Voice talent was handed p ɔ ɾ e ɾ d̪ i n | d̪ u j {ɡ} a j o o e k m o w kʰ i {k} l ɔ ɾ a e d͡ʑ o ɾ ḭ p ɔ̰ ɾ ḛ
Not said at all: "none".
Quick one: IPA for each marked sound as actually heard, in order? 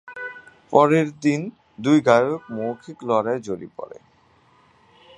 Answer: ɡ, k

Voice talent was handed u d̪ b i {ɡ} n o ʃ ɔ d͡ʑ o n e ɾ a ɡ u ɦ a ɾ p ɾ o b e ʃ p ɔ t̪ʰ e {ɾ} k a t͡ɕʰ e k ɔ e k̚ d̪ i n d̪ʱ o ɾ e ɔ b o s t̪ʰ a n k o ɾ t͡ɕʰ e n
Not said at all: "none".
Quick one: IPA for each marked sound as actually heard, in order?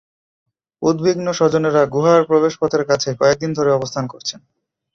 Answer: ɡ, ɾ

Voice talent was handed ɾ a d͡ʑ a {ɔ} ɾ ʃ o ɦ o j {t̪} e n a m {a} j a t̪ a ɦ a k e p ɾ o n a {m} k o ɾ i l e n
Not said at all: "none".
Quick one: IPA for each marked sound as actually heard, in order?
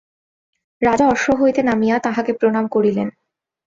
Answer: ɔ, t̪, i, m

